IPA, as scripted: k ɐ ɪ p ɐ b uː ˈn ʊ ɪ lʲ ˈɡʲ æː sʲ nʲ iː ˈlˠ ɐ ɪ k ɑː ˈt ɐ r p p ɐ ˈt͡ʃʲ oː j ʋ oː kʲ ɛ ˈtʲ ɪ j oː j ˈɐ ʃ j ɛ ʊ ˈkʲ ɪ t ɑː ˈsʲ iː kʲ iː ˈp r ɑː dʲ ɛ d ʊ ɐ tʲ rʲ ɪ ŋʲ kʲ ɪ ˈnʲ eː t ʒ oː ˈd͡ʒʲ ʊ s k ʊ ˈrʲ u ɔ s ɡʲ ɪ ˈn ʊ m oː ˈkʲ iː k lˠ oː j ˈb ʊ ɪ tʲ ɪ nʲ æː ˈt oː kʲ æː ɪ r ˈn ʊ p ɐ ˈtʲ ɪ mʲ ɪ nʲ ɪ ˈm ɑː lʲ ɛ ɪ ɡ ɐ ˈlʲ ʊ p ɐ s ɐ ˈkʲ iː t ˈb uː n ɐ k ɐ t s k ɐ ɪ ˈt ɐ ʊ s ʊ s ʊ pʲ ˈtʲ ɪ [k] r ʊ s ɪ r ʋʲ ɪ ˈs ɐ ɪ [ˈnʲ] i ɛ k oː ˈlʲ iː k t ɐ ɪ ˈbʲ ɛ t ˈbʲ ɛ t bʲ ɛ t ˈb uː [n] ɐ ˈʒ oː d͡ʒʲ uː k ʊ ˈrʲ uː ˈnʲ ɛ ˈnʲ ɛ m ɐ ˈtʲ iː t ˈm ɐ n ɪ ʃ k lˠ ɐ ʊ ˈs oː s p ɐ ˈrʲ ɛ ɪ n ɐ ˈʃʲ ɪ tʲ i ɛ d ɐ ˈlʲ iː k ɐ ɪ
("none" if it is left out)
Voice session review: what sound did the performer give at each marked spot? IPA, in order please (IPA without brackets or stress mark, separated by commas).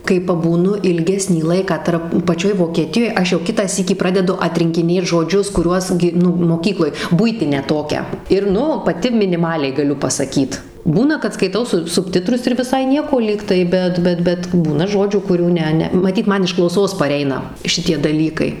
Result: t, nʲ, n